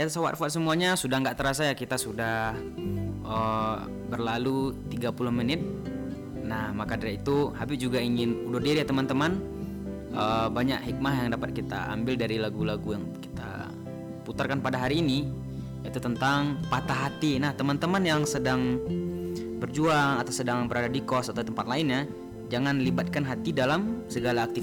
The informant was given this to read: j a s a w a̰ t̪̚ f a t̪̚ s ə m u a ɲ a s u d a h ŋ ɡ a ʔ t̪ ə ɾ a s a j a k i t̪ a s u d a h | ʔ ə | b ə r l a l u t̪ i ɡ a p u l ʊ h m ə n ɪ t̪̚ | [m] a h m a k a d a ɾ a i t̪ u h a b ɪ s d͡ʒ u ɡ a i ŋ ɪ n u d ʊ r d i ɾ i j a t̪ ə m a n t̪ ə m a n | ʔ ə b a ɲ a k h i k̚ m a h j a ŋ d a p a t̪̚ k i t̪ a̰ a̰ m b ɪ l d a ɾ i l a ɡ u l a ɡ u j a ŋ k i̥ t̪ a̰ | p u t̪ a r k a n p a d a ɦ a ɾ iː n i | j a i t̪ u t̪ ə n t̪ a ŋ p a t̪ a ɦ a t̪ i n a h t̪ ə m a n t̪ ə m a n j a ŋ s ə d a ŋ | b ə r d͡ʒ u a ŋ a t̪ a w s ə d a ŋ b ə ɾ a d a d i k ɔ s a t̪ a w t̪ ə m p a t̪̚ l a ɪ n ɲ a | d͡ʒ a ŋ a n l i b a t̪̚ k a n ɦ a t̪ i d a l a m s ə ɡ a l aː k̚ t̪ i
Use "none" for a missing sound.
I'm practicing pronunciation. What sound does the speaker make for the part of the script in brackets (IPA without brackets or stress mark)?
n